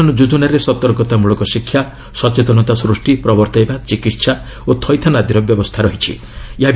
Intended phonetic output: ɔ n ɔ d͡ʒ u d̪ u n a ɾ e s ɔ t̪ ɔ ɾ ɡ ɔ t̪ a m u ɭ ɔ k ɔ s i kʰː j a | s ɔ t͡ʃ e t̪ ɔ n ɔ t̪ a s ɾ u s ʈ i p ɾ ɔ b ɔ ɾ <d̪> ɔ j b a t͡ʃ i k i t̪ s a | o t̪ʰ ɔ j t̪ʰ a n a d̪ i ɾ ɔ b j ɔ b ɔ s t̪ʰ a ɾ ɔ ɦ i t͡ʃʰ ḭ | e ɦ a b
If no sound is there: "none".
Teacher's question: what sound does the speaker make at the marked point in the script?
t̪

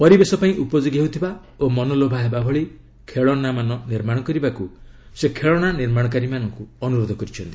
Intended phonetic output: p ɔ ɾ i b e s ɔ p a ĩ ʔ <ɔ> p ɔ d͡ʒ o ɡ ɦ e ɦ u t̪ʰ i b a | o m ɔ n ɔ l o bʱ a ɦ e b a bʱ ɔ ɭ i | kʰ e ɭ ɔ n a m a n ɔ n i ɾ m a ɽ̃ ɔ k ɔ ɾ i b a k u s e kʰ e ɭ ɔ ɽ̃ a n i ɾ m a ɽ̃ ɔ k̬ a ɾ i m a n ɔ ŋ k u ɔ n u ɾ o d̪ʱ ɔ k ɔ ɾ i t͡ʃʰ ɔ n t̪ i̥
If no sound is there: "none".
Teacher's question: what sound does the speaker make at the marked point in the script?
u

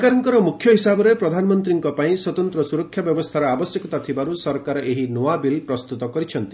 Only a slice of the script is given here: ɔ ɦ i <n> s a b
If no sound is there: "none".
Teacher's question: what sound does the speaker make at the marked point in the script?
none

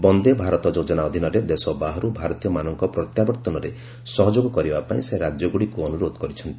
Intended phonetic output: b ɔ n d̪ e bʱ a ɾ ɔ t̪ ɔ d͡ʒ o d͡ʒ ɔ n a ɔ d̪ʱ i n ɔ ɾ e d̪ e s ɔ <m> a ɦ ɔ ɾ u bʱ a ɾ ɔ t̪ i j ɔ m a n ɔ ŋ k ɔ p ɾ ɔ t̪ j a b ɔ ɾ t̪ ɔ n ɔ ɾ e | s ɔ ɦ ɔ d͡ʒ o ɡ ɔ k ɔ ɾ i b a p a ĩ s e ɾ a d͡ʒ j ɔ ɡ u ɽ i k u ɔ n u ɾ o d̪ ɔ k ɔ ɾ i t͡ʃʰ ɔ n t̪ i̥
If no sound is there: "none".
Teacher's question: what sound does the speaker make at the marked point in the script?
b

